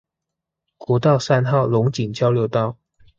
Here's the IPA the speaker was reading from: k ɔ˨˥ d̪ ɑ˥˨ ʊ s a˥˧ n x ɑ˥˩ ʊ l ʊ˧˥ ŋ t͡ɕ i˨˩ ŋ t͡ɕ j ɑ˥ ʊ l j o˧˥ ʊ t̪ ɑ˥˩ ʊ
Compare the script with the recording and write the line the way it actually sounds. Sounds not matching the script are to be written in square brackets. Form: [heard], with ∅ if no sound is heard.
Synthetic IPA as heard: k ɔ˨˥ [t̪] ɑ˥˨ ʊ s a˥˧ n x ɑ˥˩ ʊ l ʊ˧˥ ŋ t͡ɕ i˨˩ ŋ t͡ɕ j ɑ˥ ʊ l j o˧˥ ʊ t̪ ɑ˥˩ ʊ